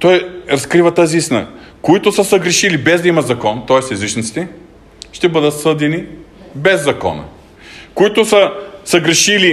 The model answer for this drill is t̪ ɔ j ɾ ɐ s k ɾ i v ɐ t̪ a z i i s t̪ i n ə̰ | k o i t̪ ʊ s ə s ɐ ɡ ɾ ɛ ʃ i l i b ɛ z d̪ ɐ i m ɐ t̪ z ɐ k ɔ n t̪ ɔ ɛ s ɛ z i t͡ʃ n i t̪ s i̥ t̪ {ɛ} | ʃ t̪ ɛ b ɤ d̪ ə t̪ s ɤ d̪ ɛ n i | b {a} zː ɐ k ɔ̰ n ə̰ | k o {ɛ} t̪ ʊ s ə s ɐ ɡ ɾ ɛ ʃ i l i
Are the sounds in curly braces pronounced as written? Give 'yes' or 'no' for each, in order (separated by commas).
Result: yes, no, no